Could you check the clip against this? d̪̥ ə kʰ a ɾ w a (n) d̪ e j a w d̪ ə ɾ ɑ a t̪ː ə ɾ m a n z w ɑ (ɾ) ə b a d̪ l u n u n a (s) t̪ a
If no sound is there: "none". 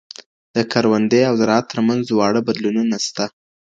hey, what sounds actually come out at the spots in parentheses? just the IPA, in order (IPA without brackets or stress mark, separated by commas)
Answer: n, ɽ, s